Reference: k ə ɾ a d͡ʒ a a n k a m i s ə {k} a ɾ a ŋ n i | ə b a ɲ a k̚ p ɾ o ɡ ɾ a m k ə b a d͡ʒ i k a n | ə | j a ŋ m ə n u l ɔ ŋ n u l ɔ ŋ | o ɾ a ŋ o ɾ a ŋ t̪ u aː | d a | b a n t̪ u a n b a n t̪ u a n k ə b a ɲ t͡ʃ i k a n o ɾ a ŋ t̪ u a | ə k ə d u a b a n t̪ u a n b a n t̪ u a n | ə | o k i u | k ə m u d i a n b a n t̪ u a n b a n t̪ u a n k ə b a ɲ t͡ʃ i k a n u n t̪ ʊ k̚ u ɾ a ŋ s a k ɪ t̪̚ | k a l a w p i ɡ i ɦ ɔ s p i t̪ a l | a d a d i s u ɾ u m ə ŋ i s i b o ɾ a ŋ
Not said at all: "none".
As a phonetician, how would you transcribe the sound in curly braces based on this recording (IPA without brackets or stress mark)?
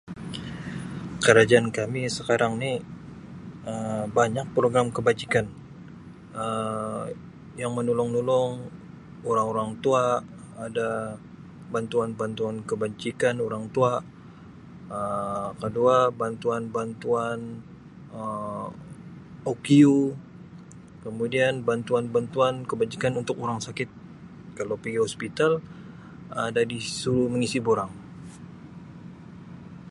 k